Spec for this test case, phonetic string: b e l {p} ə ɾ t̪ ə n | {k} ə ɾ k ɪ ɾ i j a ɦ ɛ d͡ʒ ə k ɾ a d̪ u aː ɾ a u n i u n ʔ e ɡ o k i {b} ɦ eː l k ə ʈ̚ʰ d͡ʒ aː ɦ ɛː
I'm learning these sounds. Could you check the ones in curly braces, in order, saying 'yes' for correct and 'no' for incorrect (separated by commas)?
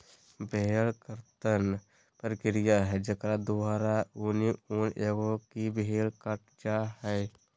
no, no, yes